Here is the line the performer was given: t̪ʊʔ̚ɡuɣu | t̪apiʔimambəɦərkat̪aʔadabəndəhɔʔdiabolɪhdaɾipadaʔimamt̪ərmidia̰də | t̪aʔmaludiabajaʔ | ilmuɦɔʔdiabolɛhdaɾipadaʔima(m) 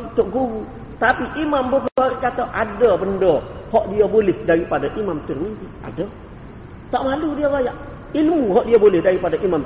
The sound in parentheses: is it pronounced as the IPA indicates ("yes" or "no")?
yes